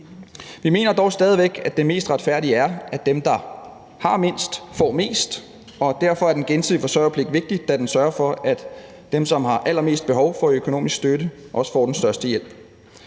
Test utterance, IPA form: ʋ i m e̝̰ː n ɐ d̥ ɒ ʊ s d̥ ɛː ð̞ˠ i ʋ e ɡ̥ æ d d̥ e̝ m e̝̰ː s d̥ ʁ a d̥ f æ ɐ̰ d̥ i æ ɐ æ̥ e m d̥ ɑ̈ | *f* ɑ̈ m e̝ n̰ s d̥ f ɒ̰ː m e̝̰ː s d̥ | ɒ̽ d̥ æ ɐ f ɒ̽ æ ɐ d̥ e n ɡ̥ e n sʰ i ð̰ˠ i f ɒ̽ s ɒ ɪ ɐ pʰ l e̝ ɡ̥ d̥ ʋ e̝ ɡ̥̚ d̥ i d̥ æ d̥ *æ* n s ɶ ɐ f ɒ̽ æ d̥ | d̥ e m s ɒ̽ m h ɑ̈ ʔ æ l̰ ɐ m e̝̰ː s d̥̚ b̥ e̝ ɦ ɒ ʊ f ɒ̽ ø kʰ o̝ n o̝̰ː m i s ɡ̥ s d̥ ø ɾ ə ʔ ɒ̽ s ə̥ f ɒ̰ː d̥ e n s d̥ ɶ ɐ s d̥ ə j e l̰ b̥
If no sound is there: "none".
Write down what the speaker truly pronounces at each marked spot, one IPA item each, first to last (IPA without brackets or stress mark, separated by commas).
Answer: h, e